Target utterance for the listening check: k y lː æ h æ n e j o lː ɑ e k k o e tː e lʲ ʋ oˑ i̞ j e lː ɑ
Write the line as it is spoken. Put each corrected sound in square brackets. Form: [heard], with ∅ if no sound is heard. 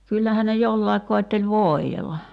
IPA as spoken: k y lː æ h æ n e j o lː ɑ e k k o e tː e lʲ ʋ oˑ i̞ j e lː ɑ